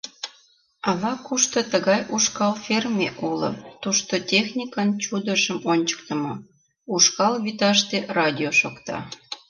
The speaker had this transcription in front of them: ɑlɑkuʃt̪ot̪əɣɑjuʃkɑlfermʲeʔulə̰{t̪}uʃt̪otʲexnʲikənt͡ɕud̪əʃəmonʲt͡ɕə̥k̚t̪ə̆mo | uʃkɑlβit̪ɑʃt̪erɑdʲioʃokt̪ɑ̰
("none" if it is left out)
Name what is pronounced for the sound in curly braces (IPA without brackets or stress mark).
t̪